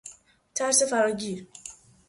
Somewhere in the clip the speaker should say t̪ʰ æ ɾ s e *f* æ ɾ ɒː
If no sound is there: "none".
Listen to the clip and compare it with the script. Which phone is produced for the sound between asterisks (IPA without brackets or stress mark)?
f